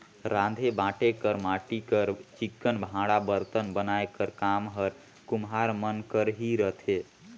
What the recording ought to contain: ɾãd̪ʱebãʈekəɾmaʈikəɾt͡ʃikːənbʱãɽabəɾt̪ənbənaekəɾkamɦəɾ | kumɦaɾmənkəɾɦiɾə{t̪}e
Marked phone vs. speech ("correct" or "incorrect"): incorrect